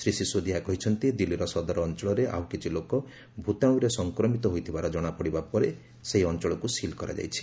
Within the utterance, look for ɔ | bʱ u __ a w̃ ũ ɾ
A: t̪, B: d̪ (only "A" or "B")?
A